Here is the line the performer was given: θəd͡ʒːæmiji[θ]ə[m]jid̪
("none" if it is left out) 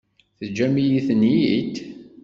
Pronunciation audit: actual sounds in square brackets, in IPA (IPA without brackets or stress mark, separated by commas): θ, n